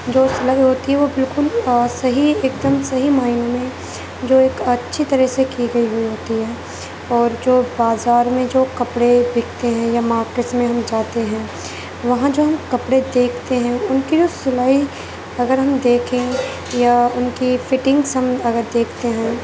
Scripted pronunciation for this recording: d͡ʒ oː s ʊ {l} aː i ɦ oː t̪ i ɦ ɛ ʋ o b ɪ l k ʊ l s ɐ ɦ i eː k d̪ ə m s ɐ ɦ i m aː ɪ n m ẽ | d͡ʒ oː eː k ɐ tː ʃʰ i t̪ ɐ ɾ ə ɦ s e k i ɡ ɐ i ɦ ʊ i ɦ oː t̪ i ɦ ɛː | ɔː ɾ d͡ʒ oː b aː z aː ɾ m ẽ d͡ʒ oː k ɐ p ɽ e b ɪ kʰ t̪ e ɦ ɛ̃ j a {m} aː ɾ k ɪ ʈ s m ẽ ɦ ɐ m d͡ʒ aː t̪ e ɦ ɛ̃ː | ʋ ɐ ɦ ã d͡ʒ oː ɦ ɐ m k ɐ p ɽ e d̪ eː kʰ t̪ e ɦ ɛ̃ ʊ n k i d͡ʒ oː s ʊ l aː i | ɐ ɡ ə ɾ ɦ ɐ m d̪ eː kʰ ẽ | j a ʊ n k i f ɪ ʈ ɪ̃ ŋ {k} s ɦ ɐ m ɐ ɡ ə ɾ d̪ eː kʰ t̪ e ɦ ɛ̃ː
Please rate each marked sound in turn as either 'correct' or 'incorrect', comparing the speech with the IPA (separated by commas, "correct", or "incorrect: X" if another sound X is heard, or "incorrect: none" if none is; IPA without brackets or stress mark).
correct, correct, incorrect: ɡ